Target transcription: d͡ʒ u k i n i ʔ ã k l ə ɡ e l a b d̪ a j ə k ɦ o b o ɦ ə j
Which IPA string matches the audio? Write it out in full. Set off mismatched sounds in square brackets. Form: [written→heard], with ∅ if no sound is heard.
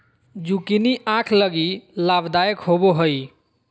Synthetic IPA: d͡ʒ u k i n i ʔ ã [k→kʰ] l ə ɡ [e→i] l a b d̪ a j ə k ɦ o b o ɦ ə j